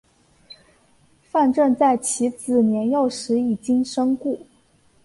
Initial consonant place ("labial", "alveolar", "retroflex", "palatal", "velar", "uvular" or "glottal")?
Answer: labial